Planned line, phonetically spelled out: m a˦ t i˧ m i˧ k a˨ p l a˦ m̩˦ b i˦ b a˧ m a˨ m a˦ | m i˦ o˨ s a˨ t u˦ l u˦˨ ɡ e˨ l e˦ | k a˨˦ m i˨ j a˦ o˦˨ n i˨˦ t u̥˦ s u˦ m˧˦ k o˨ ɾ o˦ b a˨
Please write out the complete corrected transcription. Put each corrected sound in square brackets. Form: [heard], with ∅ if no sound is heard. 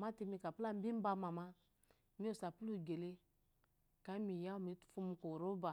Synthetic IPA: m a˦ t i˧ m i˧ k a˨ p l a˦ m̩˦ b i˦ b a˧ m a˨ m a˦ | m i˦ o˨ s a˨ [p] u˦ l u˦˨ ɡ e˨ l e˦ | k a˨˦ m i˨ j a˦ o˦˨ [m] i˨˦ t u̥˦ [f] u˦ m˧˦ k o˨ ɾ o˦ b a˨

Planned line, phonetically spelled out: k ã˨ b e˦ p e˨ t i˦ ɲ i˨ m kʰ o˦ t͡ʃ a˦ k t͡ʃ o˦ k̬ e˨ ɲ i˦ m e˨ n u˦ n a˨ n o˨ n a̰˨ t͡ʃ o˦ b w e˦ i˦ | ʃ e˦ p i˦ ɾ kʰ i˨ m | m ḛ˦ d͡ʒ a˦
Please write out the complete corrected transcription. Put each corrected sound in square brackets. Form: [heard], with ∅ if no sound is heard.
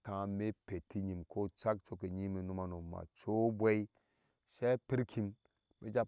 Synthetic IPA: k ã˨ [m] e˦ p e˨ t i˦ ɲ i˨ m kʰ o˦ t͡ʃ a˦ k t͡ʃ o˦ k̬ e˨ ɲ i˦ m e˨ n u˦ [m] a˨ n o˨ [m] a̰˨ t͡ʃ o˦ b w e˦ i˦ | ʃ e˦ p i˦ ɾ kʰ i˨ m | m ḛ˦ d͡ʒ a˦

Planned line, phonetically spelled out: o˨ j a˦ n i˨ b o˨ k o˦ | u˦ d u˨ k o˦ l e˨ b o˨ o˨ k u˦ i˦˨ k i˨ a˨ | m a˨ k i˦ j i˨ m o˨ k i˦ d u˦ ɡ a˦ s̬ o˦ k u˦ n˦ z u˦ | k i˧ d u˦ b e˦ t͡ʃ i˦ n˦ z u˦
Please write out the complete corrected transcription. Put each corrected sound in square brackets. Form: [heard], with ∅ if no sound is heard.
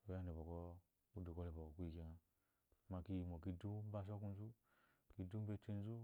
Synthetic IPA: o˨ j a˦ n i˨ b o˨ k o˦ | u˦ d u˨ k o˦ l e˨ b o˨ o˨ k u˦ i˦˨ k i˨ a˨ | m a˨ k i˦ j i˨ m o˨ k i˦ d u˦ [b] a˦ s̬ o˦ k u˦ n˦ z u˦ | k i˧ d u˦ b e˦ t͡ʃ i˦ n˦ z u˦

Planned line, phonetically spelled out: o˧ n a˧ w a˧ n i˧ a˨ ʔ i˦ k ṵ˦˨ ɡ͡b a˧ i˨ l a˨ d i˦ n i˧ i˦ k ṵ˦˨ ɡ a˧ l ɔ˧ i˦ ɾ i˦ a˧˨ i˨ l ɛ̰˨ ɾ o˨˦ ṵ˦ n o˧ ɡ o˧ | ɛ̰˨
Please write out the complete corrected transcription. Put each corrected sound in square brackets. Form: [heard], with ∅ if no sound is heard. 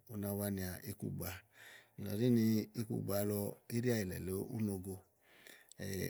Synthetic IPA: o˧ n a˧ w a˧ n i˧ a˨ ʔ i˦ k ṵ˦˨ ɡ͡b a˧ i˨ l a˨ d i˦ n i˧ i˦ k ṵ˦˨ [ɡ͡b] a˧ l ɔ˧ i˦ ɾ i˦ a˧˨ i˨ l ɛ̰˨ [l] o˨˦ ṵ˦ n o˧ ɡ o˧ | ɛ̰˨

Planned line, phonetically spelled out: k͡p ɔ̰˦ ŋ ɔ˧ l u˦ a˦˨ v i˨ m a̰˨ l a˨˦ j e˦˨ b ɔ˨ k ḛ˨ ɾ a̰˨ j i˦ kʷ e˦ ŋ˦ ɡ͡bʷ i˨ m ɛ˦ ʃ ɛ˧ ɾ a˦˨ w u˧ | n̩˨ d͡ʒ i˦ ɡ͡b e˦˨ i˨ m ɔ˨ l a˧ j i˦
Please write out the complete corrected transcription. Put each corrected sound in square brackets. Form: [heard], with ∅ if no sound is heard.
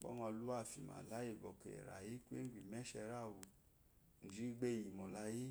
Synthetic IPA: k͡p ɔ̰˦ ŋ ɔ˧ l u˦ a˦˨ [f] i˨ m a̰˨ l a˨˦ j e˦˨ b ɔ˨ k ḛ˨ ɾ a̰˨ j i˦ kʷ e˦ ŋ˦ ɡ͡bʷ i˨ m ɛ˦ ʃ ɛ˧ ɾ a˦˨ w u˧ | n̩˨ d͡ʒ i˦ ɡ͡b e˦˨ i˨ m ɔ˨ l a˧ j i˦

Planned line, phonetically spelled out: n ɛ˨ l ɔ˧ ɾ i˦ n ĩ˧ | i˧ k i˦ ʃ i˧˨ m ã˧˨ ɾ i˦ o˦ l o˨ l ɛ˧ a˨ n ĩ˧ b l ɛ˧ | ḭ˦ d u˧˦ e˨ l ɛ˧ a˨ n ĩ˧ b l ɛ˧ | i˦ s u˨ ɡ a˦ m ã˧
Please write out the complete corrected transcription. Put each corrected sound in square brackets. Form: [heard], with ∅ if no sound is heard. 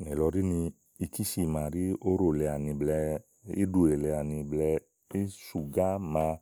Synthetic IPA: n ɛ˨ l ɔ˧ ɾ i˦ n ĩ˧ | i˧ k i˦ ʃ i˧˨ m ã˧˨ ɾ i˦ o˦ [ɾ] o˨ l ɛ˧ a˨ n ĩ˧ b l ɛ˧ | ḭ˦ d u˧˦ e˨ l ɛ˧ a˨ n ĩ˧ b l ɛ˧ | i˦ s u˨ ɡ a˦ m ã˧

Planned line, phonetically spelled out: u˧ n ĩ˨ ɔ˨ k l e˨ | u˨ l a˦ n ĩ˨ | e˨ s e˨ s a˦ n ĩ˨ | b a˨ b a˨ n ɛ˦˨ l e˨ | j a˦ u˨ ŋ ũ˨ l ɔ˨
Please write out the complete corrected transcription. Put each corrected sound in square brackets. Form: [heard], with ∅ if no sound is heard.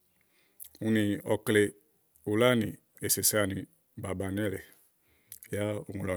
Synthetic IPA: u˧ n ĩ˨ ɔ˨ k l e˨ | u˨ l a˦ n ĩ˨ | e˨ s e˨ s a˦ n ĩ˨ | b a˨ b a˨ n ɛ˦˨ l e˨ | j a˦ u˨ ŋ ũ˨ l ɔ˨

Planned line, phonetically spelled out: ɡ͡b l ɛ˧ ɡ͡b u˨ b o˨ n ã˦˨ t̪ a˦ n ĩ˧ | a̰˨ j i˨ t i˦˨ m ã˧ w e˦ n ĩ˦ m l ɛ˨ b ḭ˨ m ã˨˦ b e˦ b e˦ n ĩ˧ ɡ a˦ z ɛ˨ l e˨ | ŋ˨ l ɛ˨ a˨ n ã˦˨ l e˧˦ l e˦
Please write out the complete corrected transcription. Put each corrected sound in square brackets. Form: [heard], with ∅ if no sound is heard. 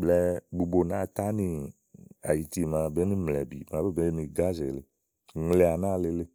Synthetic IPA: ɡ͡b l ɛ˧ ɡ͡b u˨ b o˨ n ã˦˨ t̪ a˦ n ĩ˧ | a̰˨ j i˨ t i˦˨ m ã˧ [b] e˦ n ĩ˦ m l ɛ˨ b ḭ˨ m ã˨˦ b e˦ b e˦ n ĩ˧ ɡ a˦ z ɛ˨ l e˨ | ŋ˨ l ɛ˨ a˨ n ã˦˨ l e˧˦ l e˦

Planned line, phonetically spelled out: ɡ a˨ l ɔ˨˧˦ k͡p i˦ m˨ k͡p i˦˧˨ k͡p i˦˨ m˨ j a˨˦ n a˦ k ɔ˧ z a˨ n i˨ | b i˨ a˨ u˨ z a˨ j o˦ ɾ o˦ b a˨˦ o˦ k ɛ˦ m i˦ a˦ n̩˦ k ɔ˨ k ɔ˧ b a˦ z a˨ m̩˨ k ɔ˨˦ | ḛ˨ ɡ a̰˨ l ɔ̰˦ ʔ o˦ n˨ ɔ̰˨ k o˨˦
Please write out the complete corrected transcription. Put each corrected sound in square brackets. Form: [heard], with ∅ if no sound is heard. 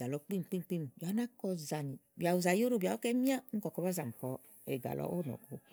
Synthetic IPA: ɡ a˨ l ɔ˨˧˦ k͡p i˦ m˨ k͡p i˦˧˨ k͡p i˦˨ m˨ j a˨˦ n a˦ k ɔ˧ z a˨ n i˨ | b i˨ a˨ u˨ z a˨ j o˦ ɾ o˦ b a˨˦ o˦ k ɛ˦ m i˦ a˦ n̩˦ k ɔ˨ k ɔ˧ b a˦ z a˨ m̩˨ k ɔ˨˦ | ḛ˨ ɡ a̰˨ l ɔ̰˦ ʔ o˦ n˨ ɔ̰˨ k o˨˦

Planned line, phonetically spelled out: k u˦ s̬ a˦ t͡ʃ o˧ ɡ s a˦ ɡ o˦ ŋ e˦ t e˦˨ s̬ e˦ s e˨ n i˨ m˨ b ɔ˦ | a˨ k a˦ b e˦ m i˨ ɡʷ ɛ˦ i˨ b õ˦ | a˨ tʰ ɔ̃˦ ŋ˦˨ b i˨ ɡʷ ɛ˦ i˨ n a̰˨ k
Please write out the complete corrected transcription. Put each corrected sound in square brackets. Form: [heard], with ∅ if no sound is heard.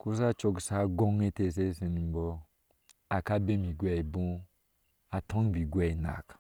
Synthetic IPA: k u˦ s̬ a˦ t͡ʃ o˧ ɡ s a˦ ɡ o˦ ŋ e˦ t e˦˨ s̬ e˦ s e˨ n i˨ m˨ b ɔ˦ | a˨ k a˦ b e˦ m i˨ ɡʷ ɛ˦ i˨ b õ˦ | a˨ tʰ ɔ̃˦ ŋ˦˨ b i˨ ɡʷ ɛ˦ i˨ n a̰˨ k

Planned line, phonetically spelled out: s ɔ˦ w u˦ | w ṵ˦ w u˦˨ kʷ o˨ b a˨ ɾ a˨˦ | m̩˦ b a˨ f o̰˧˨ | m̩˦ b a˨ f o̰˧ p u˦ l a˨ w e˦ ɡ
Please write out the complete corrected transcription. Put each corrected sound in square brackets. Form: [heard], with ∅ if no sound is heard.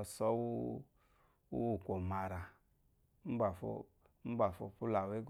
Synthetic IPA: s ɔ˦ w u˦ | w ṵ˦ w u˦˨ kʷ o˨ [m] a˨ ɾ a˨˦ | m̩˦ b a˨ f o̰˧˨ | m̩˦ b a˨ f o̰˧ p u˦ l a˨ w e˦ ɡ

